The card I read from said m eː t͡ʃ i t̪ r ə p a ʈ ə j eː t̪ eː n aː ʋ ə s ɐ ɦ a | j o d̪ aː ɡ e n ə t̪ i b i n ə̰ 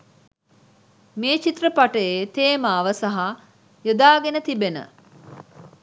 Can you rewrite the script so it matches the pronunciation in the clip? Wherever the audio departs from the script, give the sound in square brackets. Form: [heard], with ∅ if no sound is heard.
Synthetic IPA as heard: m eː t͡ʃ i t̪ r ə p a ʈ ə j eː t̪ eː [m] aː ʋ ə s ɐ ɦ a | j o d̪ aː ɡ e n ə t̪ i b [e] n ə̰